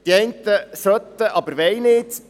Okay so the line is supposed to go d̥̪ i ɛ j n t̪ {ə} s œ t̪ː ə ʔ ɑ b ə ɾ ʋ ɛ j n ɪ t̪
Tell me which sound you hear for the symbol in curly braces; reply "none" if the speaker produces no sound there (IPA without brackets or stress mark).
ə